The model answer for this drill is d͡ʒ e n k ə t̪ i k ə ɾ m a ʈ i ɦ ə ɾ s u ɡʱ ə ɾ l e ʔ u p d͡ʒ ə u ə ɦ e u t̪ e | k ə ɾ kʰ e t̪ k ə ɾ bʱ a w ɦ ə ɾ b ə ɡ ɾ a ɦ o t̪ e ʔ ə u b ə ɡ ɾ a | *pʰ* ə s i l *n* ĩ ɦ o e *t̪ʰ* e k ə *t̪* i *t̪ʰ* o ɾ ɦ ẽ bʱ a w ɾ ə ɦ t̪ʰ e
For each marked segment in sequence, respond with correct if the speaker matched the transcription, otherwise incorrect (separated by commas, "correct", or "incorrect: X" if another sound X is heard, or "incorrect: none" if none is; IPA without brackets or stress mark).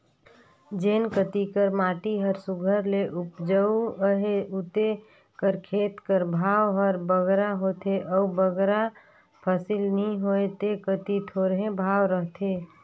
correct, correct, incorrect: t̪, correct, correct